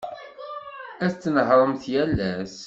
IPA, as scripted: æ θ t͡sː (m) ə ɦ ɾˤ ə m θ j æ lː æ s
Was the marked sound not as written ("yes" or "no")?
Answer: yes